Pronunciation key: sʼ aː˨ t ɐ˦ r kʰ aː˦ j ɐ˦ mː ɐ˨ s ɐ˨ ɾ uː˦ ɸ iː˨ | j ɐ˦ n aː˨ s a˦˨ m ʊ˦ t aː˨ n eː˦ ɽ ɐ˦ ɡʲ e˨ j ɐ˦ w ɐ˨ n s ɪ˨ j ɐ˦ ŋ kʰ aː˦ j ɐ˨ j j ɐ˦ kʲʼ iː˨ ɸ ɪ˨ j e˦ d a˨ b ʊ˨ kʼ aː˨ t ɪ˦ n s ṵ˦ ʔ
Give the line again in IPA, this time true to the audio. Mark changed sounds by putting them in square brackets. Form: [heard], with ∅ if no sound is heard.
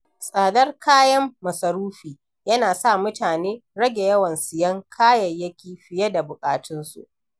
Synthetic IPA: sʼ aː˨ [d] ɐ˦ r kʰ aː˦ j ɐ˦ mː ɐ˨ s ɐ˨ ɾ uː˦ ɸ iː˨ | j ɐ˦ n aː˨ s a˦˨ m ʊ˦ t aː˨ n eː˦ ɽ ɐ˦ ɡʲ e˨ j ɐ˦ w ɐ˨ n s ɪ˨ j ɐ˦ ŋ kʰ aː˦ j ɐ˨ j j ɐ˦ [kʲ] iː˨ ɸ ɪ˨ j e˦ d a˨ b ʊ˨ kʼ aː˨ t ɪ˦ n s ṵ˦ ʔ